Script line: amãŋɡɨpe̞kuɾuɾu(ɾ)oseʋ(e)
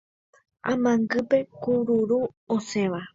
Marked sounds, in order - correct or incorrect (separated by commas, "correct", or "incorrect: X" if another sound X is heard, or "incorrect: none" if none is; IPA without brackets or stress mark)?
incorrect: none, incorrect: a